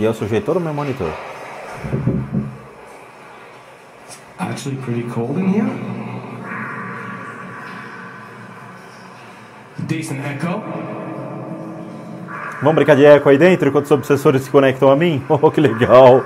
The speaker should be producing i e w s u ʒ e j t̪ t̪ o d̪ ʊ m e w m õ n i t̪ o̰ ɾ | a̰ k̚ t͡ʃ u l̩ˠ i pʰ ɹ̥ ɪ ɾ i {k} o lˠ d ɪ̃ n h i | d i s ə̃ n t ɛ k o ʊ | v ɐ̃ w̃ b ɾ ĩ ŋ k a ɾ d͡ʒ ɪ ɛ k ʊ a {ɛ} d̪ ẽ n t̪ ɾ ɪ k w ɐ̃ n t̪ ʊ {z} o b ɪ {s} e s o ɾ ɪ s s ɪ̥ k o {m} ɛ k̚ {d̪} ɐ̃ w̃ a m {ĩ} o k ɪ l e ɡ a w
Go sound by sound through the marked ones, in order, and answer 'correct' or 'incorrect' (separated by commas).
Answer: incorrect, incorrect, correct, correct, incorrect, incorrect, correct